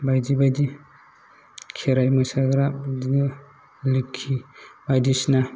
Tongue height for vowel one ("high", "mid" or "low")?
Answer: low